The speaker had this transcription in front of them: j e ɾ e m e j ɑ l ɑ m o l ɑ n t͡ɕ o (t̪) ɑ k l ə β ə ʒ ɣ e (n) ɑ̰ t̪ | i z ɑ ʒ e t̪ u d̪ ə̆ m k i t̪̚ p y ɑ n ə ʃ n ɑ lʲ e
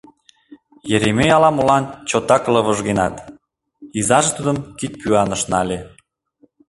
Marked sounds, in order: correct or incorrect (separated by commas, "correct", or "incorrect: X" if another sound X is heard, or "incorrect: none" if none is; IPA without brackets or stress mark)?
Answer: correct, correct